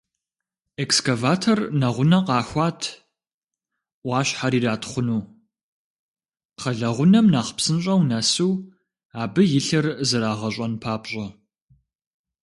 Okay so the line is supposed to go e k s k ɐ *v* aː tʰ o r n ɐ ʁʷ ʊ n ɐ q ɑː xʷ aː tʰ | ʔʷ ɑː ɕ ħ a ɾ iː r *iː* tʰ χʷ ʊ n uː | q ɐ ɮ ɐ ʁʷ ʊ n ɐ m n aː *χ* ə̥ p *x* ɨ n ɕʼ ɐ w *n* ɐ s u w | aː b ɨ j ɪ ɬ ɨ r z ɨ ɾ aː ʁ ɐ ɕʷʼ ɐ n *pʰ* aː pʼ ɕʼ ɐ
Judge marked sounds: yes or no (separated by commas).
yes, no, yes, no, yes, yes